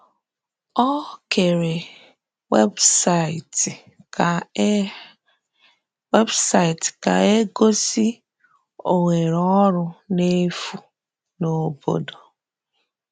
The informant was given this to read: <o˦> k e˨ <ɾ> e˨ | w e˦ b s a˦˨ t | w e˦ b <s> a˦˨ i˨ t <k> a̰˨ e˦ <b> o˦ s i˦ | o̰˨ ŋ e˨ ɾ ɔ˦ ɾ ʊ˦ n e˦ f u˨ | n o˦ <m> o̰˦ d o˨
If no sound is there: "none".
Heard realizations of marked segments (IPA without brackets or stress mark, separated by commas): ɔ˦, ɾ, s, k, ɡ, b